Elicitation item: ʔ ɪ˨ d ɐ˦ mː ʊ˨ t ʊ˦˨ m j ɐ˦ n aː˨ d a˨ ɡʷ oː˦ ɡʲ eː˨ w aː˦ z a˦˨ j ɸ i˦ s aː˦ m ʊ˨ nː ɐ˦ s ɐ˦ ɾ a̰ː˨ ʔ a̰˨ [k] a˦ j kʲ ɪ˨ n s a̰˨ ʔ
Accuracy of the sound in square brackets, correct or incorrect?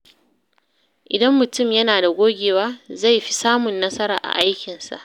incorrect: ʔ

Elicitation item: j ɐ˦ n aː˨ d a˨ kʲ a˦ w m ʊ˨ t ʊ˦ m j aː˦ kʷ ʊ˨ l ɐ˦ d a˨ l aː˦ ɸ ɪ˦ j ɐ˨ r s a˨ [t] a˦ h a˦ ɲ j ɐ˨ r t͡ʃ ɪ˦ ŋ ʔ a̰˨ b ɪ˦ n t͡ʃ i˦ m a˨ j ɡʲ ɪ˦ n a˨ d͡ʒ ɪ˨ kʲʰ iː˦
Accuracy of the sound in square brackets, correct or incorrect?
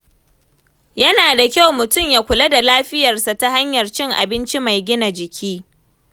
correct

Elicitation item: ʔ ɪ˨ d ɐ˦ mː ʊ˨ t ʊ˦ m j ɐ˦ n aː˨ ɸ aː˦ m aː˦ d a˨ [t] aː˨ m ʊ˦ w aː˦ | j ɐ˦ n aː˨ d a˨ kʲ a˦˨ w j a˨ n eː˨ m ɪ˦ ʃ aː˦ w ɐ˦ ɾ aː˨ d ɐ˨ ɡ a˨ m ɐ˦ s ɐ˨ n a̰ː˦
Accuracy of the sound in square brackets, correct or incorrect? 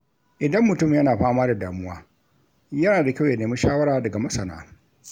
incorrect: d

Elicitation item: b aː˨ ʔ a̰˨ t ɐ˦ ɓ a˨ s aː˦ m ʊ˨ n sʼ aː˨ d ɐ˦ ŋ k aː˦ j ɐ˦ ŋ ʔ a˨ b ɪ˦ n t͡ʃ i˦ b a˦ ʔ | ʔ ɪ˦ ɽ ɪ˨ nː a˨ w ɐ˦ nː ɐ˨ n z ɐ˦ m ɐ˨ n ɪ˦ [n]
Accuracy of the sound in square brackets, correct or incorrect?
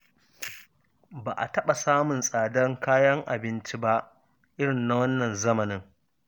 incorrect: ŋ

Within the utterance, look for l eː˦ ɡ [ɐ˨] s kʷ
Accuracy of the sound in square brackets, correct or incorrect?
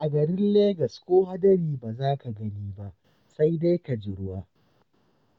correct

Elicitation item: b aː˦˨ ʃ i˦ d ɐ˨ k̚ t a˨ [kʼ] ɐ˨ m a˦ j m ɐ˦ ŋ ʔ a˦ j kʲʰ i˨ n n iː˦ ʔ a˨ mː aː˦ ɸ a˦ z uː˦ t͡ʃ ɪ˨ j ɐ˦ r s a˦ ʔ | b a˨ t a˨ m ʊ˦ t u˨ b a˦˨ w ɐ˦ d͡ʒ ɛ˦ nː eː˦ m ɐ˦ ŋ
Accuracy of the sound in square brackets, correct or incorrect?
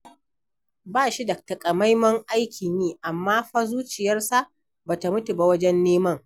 correct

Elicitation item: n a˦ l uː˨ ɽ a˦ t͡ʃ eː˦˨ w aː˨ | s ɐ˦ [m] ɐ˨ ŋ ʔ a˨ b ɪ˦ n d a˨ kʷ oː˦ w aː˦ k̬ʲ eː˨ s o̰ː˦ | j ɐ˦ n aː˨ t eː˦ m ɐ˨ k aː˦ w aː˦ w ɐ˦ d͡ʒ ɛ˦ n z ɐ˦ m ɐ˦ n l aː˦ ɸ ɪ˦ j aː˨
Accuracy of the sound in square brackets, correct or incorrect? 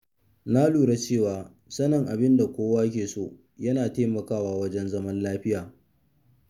incorrect: n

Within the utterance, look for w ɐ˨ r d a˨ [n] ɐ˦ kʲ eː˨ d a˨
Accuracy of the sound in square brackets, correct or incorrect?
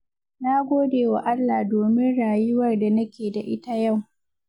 correct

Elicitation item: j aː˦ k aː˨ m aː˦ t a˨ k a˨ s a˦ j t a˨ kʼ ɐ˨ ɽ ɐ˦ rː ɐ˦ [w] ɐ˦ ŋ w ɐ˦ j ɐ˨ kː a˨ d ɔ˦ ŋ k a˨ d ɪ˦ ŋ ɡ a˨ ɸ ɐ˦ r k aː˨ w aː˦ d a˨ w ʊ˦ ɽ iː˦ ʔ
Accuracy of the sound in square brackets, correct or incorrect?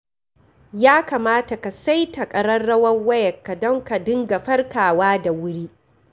correct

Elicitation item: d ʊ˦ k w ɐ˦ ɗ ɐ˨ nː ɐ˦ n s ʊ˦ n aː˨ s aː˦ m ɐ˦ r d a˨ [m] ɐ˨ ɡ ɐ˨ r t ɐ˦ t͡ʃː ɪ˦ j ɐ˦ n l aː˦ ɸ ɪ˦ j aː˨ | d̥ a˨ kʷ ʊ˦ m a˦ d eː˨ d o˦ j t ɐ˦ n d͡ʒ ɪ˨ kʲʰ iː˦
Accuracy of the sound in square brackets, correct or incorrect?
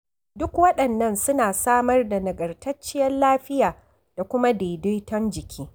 incorrect: n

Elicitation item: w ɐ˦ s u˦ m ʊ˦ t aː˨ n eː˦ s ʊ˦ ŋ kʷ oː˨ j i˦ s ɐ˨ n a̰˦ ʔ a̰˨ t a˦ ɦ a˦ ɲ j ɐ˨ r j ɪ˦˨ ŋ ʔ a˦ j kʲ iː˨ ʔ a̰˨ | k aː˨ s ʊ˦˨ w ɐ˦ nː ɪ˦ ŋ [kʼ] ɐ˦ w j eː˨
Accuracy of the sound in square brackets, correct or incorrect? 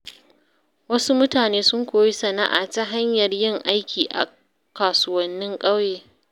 correct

